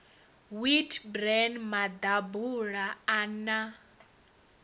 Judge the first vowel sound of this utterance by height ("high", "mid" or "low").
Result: high